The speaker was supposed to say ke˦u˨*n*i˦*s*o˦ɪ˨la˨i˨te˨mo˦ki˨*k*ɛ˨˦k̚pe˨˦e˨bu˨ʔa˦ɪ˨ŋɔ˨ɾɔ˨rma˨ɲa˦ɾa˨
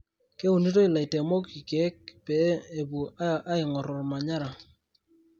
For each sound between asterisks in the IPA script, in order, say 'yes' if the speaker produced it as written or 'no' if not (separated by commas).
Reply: yes, no, yes